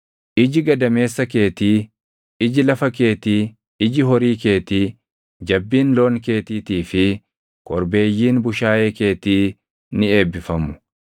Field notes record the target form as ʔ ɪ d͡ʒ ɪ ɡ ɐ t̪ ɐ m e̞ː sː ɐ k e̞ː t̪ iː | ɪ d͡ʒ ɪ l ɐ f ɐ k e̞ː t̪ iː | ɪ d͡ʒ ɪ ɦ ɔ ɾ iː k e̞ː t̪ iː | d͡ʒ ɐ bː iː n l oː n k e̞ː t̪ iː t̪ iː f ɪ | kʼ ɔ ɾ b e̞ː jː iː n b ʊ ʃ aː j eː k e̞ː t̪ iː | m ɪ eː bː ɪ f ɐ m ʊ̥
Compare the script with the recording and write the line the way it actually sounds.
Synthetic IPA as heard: ʔ ɪ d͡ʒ ɪ ɡ ɐ d̪ ɐ m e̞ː sː ɐ k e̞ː t̪ iː | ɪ d͡ʒ ɪ l ɐ f ɐ k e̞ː t̪ iː | ɪ d͡ʒ ɪ ɦ ɔ ɾ iː k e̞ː t̪ iː | d͡ʒ ɐ bː iː n l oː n k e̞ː t̪ iː t̪ iː f ɪ | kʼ ɔ ɾ b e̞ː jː iː n b ʊ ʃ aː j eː k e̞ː t̪ iː | n ɪ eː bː ɪ f ɐ m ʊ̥

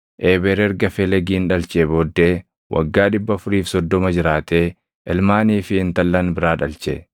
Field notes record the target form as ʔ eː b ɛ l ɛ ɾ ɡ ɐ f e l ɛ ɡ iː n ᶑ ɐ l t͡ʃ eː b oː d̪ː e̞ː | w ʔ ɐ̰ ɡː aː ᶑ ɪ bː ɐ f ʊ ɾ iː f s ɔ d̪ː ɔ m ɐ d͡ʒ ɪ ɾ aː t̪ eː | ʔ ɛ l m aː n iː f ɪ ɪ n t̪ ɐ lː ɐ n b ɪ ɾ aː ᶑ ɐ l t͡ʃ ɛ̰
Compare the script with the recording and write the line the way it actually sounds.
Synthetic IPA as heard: ʔ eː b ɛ ɾ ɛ ɾ ɡ ɐ f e l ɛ ɡ iː n ᶑ ɐ l t͡ʃ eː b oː d̪ː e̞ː | w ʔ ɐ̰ ɡː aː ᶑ ɪ bː ɐ f ʊ ɾ iː f s ɔ d̪ː ɔ m ɐ d͡ʒ ɪ ɾ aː t̪ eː | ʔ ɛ l m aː n iː f ɪ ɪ n t̪ ɐ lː ɐ n b ɪ ɾ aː ᶑ ɐ l t͡ʃ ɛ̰

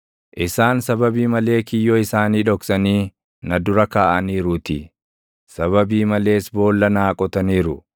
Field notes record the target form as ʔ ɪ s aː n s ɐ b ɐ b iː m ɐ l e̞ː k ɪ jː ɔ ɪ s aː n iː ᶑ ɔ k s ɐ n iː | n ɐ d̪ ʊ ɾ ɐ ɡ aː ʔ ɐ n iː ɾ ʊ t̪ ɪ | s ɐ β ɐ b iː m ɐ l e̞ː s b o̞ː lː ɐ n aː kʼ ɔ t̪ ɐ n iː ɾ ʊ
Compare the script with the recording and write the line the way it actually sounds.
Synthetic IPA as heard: ʔ ɪ s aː n s ɐ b ɐ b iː m ɐ l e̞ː k ɪ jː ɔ ɪ s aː n iː ᶑ ɔ k s ɐ n iː | n ɐ d̪ ʊ ɾ ɐ k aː ʔ ɐ n iː ɾ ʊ t̪ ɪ | s ɐ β ɐ b iː m ɐ l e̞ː s b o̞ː lː ɐ n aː kʼ ɔ t̪ ɐ n iː ɾ ʊ

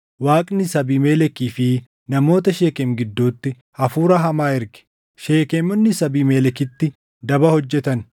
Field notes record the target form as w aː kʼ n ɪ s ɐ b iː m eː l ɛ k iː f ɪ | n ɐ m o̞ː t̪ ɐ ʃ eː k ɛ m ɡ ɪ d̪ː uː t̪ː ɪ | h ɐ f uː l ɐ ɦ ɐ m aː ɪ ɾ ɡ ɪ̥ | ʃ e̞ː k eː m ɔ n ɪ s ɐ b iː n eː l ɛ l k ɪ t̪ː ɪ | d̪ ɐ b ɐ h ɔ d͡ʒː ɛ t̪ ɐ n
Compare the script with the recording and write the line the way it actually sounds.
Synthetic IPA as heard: w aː kʼ n ɪ s ɐ b iː m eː l ɛ k iː f ɪ | n ɐ m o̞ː t̪ ɐ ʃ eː k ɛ m ɡ ɪ d̪ː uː t̪ː ɪ | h ɐ f uː ɾ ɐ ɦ ɐ m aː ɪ ɾ ɡ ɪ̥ | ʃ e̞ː k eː m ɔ nː ɪ s ɐ b iː m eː l ɛ k ɪ t̪ː ɪ | d̪ ɐ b ɐ h ɔ d͡ʒː ɛ t̪ ɐ n

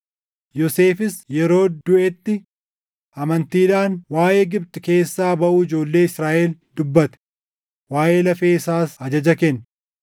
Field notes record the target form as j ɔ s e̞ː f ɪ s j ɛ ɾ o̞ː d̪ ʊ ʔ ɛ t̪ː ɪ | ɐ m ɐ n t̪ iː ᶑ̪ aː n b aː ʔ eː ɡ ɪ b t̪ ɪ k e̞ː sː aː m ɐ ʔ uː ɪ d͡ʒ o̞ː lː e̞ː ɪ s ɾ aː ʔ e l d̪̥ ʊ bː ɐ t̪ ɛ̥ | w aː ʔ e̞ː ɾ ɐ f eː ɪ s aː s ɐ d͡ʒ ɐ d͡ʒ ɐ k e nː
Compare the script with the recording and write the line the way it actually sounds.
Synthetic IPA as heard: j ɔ s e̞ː f ɪ s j ɛ ɾ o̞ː d̪ ʊ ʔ ɛ t̪ː ɪ | ɐ m ɐ n t̪ iː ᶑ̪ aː n w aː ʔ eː ɡ ɪ b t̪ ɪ k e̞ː sː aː b ɐ ʔ uː ɪ d͡ʒ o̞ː lː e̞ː ɪ s ɾ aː ʔ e l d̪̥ ʊ bː ɐ t̪ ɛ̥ | w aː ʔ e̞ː l ɐ f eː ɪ s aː s ɐ d͡ʒ ɐ d͡ʒ ɐ k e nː

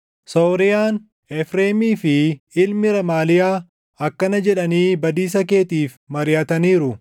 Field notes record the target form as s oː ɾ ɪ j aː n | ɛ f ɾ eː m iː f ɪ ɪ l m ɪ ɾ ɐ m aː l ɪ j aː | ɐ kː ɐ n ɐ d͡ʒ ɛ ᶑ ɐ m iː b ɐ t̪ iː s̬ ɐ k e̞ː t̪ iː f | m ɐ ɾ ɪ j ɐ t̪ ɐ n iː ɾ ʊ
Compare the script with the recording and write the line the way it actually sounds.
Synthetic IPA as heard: s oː ɾ ɪ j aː n | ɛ f ɾ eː m iː f ɪ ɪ l m ɪ ɾ ɐ m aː l ɪ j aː | ɐ kː ɐ n ɐ d͡ʒ ɛ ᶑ ɐ n iː b ɐ d̪ iː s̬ ɐ k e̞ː t̪ iː f | m ɐ ɾ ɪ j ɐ t̪ ɐ n iː ɾ ʊ

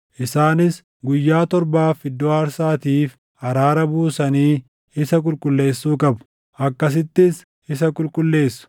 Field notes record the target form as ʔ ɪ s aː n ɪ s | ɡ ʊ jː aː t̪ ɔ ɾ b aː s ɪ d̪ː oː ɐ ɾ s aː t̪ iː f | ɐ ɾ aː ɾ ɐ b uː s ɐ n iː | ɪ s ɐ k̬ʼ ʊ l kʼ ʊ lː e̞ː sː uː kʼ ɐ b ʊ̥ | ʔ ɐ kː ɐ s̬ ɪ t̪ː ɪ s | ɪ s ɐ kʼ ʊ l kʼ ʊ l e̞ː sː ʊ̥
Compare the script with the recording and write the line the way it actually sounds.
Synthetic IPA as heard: ʔ ɪ s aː n ɪ s | ɡ ʊ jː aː t̪ ɔ ɾ b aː f ɪ d̪ː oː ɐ ɾ s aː t̪ iː f | ɐ ɾ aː ɾ ɐ b uː s ɐ n iː | ɪ s ɐ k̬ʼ ʊ l kʼ ʊ lː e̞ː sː uː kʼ ɐ b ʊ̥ | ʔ ɐ kː ɐ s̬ ɪ t̪ː ɪ s | ɪ s ɐ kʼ ʊ l kʼ ʊ lː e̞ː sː ʊ̥

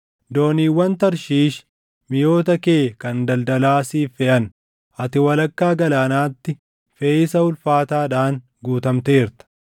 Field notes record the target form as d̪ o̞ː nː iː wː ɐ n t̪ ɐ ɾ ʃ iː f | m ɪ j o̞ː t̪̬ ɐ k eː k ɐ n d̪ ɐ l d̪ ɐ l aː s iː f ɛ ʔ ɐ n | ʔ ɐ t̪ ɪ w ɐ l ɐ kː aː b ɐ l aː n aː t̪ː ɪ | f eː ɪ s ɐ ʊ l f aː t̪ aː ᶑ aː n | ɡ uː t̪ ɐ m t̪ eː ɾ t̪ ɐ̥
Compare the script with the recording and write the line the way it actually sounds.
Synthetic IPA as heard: d̪ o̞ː n iː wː ɐ n t̪ ɐ ɾ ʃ iː ʃ | m ɪ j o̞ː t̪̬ ɐ k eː k ɐ n d̪ ɐ l d̪ ɐ l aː s iː f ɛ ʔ ɐ n | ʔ ɐ t̪ ɪ w ɐ l ɐ kː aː ɡ ɐ l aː n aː t̪ː ɪ | f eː ɪ s ɐ ʊ l f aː t̪ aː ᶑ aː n | ɡ uː t̪ ɐ m t̪ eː ɾ t̪ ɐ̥

